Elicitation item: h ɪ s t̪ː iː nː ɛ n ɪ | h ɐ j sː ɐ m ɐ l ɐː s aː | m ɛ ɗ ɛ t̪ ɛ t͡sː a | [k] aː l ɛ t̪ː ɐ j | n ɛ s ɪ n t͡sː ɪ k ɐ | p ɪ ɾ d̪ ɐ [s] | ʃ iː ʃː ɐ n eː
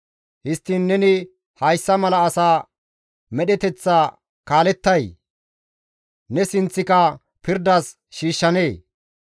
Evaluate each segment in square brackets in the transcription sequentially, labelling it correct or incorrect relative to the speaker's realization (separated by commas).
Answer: correct, correct